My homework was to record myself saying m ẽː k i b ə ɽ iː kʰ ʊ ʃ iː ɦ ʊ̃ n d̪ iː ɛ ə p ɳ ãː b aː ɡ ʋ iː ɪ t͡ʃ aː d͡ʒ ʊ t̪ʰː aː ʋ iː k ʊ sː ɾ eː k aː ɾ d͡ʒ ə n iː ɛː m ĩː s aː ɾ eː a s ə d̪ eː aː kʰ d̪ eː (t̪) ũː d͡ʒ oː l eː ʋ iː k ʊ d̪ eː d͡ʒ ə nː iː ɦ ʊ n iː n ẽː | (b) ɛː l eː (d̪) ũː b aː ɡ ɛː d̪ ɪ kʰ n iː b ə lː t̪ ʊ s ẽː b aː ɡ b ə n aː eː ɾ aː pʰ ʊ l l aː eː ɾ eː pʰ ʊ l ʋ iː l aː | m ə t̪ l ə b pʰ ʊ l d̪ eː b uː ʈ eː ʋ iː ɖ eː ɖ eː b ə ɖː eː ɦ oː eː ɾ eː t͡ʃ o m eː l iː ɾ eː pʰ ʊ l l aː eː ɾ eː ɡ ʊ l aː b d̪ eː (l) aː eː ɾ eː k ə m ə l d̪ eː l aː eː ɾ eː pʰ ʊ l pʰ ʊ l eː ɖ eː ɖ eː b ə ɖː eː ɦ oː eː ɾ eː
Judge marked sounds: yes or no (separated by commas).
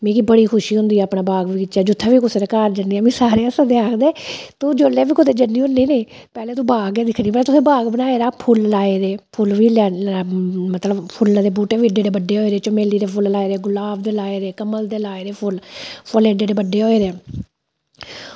yes, no, no, yes